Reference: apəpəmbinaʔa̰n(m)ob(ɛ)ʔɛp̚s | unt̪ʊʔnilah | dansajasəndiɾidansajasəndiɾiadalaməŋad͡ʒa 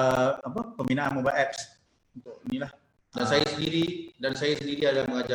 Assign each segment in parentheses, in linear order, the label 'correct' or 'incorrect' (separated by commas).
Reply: correct, incorrect